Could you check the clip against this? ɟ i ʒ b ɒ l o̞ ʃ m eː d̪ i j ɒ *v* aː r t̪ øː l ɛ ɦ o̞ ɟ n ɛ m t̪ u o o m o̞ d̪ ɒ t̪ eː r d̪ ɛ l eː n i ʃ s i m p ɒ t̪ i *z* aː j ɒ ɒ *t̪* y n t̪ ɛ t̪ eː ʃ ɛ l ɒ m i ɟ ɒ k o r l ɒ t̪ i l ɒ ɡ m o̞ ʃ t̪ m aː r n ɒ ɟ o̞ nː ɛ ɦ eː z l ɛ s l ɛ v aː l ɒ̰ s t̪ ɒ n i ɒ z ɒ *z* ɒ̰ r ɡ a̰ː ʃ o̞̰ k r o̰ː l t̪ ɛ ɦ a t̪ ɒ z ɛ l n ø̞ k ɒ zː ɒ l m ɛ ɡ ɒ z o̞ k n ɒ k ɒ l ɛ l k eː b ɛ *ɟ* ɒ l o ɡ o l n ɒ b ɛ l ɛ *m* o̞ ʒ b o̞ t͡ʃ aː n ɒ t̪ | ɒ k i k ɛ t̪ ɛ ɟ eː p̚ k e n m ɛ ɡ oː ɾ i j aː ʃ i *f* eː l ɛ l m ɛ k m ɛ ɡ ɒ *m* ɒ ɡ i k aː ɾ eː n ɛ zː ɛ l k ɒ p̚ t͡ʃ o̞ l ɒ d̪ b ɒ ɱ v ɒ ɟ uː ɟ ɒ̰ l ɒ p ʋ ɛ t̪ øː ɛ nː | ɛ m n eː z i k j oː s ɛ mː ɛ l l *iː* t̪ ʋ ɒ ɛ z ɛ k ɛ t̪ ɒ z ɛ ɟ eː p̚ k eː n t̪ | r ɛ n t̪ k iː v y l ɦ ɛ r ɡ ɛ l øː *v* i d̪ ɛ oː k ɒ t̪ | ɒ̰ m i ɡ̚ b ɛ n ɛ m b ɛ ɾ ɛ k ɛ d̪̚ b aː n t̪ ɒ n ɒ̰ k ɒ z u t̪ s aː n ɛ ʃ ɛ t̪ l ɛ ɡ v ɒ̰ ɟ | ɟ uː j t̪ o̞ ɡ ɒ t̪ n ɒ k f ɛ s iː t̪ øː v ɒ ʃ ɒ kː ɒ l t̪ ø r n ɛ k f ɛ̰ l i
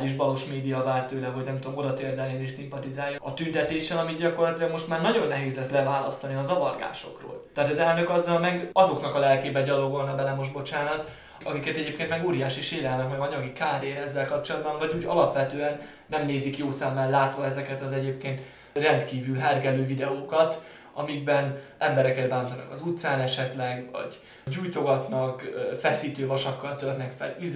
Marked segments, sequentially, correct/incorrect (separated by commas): correct, correct, correct, incorrect, correct, correct, incorrect, incorrect, incorrect, correct